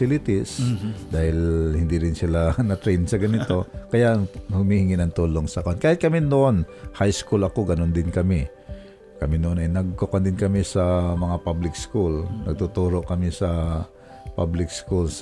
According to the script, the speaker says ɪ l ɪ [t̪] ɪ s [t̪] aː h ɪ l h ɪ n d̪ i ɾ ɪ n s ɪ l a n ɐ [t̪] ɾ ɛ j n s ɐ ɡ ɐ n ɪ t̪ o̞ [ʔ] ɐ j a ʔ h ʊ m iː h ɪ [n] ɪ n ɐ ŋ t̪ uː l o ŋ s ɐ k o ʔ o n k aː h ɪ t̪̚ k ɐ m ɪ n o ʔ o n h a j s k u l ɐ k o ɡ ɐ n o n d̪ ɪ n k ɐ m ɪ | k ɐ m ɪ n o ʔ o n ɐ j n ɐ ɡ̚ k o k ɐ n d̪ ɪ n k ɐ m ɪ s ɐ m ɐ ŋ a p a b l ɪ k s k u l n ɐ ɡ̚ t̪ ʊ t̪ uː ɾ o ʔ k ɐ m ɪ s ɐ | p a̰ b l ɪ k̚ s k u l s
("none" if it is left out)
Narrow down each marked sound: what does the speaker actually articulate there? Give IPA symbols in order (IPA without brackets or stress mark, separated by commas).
t̪, d̪, t̪, k, ŋ